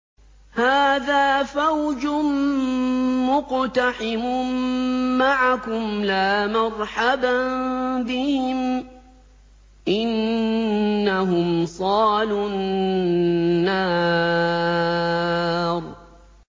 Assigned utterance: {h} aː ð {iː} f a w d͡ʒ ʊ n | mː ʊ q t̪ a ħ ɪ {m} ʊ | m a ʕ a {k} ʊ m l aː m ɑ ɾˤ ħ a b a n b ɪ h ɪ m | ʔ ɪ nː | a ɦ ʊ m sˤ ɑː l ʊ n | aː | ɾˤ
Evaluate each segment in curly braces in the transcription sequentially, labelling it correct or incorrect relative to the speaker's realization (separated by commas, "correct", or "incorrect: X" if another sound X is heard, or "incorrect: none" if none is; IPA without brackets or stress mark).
correct, incorrect: aː, correct, correct